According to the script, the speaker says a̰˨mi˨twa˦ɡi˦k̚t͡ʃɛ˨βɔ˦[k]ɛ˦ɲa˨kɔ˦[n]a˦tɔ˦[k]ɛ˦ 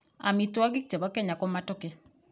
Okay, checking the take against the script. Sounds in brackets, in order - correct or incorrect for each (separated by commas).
correct, incorrect, correct